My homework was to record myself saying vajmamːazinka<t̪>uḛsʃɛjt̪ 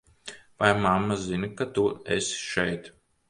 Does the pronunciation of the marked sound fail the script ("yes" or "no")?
no